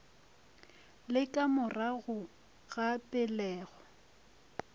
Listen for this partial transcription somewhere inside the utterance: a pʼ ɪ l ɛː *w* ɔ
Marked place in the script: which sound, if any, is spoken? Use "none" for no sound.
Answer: ɣ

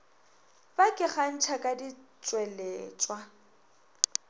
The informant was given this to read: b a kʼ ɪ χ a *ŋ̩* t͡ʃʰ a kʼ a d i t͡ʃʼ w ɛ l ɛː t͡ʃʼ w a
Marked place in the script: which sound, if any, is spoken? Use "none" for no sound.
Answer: n̩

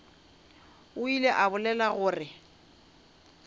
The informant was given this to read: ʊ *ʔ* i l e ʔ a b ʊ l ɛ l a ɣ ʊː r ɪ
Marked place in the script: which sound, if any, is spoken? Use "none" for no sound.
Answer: none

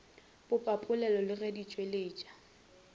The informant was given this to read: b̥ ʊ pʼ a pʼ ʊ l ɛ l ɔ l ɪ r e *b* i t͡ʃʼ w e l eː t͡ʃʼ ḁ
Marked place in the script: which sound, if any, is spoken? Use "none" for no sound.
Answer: d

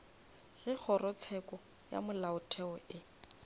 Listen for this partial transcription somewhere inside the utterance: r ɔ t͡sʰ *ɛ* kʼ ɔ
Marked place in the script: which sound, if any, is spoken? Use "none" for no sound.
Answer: ɛ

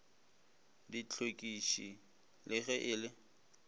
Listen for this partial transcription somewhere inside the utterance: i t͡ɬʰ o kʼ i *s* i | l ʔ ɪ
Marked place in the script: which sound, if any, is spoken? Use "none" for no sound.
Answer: ʃ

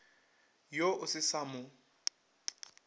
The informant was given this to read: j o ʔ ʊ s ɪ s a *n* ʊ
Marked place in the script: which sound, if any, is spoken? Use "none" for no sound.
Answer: m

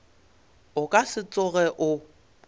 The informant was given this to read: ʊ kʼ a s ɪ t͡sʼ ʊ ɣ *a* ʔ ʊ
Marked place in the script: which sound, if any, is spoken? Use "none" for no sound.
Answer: ɛ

